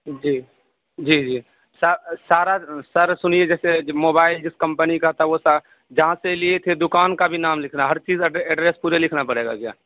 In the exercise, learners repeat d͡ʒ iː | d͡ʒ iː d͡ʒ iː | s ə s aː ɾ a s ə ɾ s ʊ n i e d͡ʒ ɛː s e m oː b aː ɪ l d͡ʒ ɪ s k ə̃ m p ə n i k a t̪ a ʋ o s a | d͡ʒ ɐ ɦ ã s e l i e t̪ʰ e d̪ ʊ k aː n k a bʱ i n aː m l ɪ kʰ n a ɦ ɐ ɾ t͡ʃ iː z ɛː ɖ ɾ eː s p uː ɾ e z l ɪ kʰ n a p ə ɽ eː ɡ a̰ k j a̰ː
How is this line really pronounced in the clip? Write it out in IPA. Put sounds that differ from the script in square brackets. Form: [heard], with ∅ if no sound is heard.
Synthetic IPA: d͡ʒ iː | d͡ʒ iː d͡ʒ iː | s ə s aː ɾ a s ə ɾ s ʊ n i e d͡ʒ ɛː s e m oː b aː ɪ l d͡ʒ ɪ s k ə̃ m p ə n i k a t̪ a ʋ o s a | d͡ʒ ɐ ɦ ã s e l i e t̪ʰ e d̪ ʊ k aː n k a bʱ i n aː m l ɪ kʰ n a ɦ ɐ ɾ t͡ʃ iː z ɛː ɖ ɾ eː s p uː ɾ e [∅] l ɪ kʰ n a p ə ɽ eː ɡ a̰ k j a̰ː